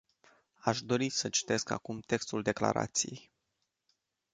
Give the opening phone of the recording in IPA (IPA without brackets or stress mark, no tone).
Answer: a